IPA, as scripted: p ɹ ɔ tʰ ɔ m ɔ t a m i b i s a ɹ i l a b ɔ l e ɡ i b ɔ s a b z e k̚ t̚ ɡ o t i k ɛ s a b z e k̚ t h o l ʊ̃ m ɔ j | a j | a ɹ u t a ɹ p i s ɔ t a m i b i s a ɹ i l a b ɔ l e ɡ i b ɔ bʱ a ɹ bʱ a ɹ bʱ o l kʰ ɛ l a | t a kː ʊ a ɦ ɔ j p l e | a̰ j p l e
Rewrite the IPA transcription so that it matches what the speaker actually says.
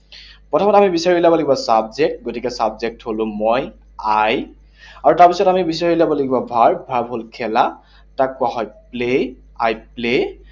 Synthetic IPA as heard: p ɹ ɔ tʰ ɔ m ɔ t a m i b i s a ɹ i l a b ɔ l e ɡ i b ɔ s a b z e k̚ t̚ ɡ o t i k ɛ s a b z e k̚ t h o l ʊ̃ m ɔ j | a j | a ɹ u t a ɹ p i s ɔ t a m i b i s a ɹ i l a b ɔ l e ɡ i b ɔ bʱ a ɹ bʱ a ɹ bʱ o l kʰ ɛ l a | t a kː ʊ a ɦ ɔ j p l e | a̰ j p l e